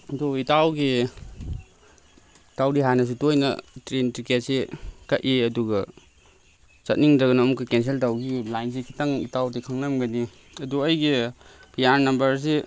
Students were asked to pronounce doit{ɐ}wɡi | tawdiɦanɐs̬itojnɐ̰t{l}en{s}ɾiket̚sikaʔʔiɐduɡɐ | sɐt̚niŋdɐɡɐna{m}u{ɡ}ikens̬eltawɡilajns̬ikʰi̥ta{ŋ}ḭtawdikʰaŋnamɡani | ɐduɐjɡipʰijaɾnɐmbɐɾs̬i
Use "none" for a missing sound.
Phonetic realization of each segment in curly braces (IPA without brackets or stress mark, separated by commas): a, ɾ, t, m, k, ŋ